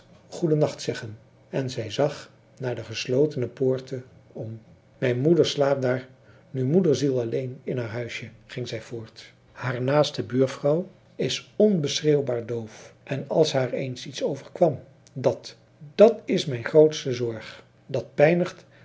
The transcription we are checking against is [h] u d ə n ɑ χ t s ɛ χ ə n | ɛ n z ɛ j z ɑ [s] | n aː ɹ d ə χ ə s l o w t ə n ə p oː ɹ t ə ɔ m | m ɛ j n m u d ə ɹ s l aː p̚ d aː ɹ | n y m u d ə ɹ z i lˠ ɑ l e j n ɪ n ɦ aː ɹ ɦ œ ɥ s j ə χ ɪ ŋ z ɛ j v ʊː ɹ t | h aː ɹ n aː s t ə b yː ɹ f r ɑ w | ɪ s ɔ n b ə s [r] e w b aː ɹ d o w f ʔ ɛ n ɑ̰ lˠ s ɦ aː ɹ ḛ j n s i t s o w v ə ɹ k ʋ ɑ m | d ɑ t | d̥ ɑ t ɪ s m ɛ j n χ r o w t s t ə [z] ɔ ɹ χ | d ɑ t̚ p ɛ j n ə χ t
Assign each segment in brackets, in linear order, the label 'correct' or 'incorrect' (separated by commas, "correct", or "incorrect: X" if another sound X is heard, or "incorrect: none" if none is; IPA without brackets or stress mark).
incorrect: χ, incorrect: χ, correct, correct